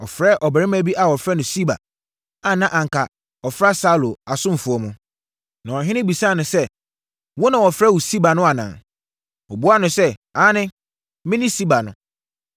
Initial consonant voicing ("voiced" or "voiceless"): voiceless